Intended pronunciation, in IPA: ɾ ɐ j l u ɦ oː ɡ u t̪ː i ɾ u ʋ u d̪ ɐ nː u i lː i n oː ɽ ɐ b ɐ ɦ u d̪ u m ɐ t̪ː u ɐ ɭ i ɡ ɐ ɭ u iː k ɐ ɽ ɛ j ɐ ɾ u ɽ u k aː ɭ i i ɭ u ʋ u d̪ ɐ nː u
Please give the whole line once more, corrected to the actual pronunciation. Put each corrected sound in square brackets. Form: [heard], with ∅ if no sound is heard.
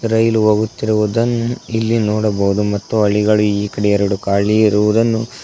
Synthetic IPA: ɾ ɐ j l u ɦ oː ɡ u t̪ː i ɾ u ʋ u d̪ ɐ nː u i lː i n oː ɽ ɐ b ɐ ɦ u d̪ u m ɐ t̪ː u ɐ ɭ i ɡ ɐ ɭ u iː k ɐ ɽ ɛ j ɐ ɾ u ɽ u k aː ɭ i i [ɾ] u ʋ u d̪ ɐ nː u

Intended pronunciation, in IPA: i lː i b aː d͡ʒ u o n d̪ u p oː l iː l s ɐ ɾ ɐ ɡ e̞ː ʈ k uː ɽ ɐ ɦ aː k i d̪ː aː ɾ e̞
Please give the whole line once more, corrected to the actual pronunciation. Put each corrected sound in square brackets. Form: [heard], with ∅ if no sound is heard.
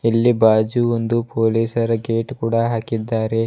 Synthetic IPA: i lː i b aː d͡ʒ u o n d̪ u p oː l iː [∅] s ɐ ɾ ɐ ɡ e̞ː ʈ k uː ɽ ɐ ɦ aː k i d̪ː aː ɾ e̞

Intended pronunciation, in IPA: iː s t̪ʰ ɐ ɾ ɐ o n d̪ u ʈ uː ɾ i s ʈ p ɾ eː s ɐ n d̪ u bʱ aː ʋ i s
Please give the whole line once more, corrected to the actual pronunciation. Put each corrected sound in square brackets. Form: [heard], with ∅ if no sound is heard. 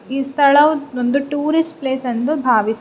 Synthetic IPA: iː s t̪ʰ ɐ [ɭ] ɐ o n d̪ u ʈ uː ɾ i s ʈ p [l] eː s ɐ n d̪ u bʱ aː ʋ i s

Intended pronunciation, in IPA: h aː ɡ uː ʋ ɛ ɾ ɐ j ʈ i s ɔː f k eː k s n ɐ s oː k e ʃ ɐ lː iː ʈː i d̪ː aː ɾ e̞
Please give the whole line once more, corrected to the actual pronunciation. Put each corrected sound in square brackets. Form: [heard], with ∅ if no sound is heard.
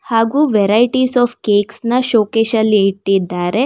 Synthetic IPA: h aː ɡ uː ʋ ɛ ɾ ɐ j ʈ i s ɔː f k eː k s n ɐ [ʃ] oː k e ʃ ɐ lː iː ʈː i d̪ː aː ɾ e̞

